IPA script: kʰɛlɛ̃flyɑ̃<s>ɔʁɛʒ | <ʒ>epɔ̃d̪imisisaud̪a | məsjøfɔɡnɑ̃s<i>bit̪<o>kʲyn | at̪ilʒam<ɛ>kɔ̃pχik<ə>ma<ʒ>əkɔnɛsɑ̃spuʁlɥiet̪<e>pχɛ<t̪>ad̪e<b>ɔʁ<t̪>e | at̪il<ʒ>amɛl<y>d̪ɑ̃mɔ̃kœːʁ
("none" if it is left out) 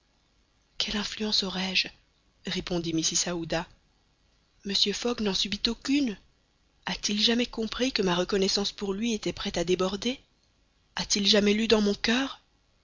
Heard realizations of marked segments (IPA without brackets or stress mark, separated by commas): s, ʁ, y, o, ɛ, ə, ʁ, ɛ, t̪, b, d̪, ʒ, y